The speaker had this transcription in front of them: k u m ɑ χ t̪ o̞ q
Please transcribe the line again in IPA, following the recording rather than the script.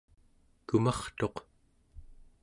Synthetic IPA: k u m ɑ χ t̪ o̞ q